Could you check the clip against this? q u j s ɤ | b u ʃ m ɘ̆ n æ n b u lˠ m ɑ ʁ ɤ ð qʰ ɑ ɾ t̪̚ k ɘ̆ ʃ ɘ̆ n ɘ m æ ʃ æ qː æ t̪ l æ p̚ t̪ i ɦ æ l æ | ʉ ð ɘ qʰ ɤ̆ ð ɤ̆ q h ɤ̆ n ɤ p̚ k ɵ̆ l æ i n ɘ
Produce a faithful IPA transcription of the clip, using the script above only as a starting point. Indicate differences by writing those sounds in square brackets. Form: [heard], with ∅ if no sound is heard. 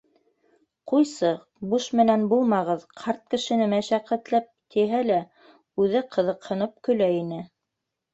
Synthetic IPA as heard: q u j s ɤ | b u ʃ m ɘ̆ n æ n b u lˠ m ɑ ʁ ɤ ð qʰ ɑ ɾ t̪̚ k ɘ̆ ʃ ɘ̆ n ɘ m æ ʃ æ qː æ t̪ l æ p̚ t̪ i ɦ æ l æ | ʉ ð ɘ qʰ ɤ̆ ð ɤ̆ q h ɤ̆ n ɤ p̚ k ɵ̆ l æ i n ɘ